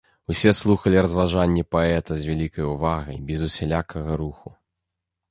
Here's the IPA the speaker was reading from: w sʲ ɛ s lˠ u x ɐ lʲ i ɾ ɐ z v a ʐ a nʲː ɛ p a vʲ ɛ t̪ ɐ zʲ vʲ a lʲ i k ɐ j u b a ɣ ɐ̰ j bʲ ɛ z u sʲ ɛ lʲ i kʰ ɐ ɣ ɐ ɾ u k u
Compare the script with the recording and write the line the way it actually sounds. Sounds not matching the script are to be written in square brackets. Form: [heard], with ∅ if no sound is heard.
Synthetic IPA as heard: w sʲ ɛ s lˠ u x ɐ lʲ i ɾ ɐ z v a ʐ a nʲː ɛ p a [∅] ɛ t̪ ɐ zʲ vʲ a lʲ i k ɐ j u [v] a ɣ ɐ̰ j bʲ ɛ z u sʲ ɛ lʲ [a] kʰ ɐ ɣ ɐ ɾ u [x] u